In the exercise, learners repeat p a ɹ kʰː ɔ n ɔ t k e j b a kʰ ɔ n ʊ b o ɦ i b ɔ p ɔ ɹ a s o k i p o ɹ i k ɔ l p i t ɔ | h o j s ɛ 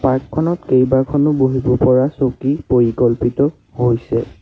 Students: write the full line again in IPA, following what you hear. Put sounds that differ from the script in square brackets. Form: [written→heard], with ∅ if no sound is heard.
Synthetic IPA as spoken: p a ɹ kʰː ɔ n ɔ t k e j b a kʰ ɔ n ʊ b o ɦ i b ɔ p ɔ ɹ a s o k i p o ɹ i k ɔ l p i t ɔ | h o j s ɛ